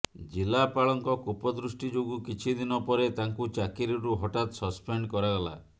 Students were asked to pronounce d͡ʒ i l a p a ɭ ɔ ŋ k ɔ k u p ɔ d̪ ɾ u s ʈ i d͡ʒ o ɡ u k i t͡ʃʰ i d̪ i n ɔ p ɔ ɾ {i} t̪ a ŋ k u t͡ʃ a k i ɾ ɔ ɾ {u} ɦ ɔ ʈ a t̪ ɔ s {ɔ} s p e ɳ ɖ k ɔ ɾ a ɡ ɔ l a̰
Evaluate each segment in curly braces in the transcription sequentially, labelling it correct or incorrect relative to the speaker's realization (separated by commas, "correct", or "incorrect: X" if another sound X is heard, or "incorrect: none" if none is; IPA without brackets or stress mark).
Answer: incorrect: e, correct, correct